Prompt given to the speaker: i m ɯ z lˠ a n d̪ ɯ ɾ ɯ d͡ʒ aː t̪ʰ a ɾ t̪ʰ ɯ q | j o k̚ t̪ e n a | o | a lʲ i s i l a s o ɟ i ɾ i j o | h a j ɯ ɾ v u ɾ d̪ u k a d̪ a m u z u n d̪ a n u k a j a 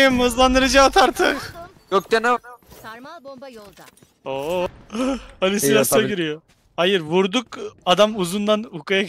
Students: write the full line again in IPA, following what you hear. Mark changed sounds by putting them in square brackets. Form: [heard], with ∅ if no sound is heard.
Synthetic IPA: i m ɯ z lˠ a n d̪ ɯ ɾ ɯ d͡ʒ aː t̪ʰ a ɾ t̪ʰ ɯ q | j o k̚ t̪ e n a | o | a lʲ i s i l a s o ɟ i ɾ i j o | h a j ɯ ɾ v u ɾ d̪ u k a d̪ a m u z u n d̪ a n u k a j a